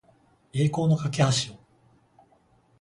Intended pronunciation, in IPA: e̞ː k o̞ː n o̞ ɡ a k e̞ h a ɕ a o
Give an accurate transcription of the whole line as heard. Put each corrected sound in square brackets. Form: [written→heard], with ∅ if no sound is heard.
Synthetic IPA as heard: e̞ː k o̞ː n o̞ [ɡ→k] a k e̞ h a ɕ [a→i] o